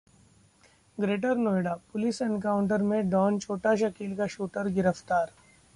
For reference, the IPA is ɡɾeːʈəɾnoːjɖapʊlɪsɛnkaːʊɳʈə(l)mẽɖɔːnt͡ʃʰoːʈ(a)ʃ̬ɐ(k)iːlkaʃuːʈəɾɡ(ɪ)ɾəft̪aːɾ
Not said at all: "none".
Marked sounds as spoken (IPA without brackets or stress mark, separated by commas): ɾ, a, k, ɪ